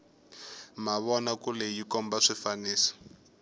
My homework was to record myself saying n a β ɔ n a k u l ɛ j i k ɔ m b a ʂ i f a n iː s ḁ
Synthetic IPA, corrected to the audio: m a β ɔ n a k u l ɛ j i k ɔ m b a ʂ i f a n iː s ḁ

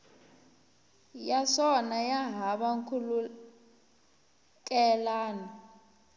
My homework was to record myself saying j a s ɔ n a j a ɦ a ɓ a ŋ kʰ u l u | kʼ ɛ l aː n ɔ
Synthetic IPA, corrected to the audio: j a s ɔ n a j a ɦ a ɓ a ŋ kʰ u l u | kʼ ɛ l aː n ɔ

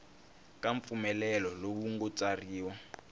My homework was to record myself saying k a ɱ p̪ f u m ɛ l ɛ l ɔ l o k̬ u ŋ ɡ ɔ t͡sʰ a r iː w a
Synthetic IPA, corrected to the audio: k a ɱ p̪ f u m ɛ l ɛ l ɔ l o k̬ u ŋ ɡ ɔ t͡s a r iː w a

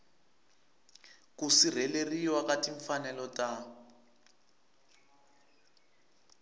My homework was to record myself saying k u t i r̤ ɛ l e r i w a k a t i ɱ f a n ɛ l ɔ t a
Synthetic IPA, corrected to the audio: k u s i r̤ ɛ l e r i w a k a t i ɱ f a n ɛ l ɔ t a

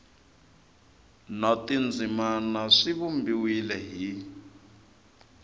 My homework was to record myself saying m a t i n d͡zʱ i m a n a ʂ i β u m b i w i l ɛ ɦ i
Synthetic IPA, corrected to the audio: n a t i n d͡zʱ i m a n a ʂ i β u m b i w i l ɛ ɦ i

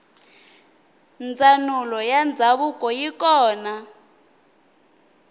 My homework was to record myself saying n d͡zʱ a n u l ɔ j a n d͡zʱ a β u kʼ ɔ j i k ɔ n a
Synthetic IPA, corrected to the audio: n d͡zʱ a n u l ɔ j a n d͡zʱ a β u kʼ ɔ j i k ɔː n a

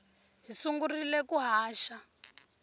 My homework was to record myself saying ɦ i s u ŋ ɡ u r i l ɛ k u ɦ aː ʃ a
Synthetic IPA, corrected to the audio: ɦ i s u ŋ ɡ u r i l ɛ k u ɦ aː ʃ a

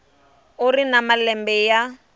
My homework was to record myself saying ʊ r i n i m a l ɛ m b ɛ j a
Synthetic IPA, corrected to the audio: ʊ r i n a m a l ɛ m b ɛ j a

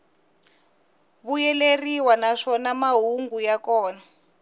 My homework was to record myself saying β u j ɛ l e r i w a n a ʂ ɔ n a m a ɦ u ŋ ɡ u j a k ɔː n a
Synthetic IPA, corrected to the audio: β u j ɛ l e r i w a n a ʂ ɔ n a m a ɦ u ŋ ɡ u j a k ɔː n a

